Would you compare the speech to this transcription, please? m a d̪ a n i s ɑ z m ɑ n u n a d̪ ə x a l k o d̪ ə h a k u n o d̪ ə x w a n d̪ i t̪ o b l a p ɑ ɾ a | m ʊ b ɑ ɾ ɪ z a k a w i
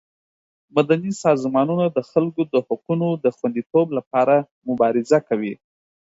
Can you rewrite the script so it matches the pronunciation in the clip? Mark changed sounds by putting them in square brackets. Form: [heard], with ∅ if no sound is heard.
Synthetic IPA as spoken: m a d̪ a n i s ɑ z m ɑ n u n a d̪ ə x a l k o d̪ ə h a [q] u n o d̪ ə x w a n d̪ i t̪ o b l a p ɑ ɾ a | m ʊ b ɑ ɾ ɪ z a k a w i